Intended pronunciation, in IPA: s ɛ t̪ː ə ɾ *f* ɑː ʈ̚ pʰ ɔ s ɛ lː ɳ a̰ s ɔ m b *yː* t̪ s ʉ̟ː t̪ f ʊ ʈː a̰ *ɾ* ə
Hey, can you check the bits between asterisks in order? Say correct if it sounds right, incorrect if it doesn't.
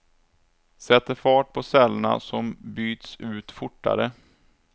correct, correct, correct

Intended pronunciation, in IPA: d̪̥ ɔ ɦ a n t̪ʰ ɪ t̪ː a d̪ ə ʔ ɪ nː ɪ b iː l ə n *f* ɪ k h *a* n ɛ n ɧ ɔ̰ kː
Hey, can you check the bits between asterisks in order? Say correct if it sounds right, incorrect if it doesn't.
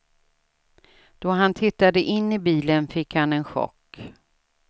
correct, correct

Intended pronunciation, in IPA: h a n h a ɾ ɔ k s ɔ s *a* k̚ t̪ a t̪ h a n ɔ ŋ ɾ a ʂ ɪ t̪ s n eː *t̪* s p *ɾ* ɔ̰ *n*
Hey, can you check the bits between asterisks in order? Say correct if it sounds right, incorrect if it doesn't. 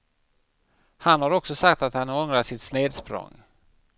correct, incorrect: d̪, correct, incorrect: ŋ

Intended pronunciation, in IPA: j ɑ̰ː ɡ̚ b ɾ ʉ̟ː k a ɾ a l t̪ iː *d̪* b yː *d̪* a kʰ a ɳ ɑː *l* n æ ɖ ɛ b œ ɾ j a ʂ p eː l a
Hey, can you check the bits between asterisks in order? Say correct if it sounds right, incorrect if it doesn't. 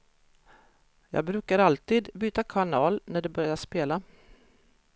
correct, incorrect: t̪, correct

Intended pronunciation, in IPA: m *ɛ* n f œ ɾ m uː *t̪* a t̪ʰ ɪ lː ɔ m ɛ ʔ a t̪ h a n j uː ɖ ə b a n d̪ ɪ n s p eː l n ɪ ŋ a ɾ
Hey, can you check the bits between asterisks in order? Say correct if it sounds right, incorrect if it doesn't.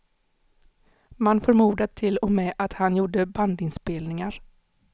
incorrect: a, incorrect: d̪

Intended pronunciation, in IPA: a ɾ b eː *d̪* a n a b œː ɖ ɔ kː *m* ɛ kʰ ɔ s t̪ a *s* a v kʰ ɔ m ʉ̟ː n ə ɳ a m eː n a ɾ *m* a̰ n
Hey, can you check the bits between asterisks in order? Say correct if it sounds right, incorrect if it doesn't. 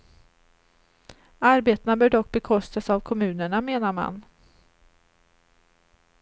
incorrect: t̪, incorrect: b, correct, correct

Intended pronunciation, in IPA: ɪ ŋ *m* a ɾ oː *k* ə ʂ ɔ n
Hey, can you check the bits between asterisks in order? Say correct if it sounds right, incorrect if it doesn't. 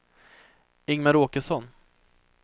correct, correct

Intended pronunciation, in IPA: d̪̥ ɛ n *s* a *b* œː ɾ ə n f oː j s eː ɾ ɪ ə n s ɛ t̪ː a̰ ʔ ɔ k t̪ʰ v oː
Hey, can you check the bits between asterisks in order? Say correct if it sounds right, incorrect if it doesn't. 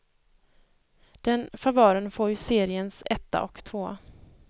incorrect: f, incorrect: v

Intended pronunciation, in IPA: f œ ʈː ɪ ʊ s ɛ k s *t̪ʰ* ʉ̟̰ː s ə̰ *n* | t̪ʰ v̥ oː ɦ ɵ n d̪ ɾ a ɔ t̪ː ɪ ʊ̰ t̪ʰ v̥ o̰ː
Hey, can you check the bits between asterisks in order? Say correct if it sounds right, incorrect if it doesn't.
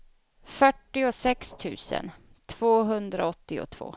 correct, correct

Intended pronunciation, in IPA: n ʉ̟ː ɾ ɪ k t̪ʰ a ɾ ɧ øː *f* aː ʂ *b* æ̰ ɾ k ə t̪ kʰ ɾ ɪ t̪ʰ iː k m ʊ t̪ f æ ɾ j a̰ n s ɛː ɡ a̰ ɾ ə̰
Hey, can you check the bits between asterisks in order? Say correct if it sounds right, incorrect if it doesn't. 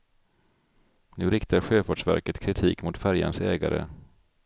correct, incorrect: v

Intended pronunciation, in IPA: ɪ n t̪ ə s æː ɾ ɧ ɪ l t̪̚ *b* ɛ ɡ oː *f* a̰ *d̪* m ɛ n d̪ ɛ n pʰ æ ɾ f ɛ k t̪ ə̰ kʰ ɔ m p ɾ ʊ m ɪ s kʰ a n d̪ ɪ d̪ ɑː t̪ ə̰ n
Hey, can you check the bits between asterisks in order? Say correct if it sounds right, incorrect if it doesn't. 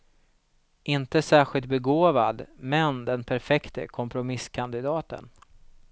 correct, incorrect: v, correct

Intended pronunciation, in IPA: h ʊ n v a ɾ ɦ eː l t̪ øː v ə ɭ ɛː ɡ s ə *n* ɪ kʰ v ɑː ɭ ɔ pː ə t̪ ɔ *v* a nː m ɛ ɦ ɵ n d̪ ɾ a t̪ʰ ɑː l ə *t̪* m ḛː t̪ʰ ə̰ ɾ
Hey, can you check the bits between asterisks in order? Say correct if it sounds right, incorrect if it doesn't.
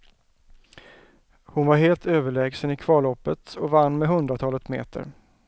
correct, correct, correct

